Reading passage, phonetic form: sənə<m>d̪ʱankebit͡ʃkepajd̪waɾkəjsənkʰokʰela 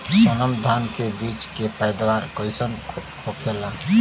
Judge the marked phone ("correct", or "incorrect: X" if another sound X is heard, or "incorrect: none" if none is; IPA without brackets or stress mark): correct